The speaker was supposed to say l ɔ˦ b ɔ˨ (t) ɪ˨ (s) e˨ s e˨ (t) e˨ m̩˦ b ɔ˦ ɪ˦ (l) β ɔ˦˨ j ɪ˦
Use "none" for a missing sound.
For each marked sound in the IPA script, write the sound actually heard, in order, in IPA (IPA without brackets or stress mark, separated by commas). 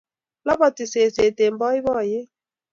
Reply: t, s, t, none